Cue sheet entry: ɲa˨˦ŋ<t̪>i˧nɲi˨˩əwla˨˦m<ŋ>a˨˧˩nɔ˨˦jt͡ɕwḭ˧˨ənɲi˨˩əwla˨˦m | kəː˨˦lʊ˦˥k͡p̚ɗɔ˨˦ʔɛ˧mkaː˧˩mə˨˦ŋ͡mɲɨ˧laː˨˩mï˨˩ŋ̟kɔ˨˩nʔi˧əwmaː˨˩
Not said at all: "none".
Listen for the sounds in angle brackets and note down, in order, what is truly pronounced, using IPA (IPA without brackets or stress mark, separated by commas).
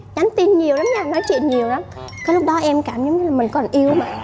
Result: t̪, ɲ